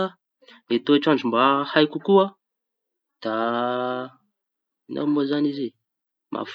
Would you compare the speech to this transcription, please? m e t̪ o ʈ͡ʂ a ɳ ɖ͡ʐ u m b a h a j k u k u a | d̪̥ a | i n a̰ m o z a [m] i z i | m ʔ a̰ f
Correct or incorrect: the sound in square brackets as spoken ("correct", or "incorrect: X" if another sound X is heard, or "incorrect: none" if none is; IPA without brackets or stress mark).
incorrect: n